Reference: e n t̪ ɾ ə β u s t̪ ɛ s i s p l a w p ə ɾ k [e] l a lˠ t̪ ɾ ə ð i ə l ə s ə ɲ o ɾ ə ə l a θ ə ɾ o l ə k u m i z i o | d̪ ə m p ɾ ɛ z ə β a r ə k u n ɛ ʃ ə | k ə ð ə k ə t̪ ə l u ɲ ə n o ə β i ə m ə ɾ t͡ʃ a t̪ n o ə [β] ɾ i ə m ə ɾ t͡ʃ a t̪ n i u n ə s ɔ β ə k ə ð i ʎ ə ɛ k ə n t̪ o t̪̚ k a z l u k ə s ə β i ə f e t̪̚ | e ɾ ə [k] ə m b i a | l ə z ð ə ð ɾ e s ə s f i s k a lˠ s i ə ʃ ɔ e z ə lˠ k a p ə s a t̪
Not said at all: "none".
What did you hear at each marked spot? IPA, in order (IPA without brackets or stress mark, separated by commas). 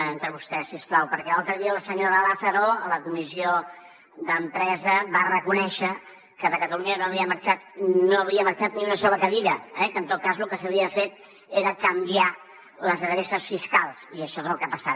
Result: ɛ, β, k